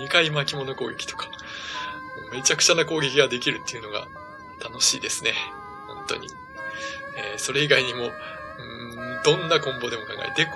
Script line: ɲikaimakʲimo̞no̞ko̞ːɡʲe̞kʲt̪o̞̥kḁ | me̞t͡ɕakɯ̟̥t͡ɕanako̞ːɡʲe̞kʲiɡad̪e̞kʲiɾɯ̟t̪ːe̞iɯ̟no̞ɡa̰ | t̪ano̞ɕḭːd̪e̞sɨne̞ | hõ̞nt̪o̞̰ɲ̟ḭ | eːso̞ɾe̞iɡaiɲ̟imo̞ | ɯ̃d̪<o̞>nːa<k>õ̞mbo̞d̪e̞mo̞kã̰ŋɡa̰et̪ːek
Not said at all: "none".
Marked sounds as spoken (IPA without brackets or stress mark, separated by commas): õ̞, k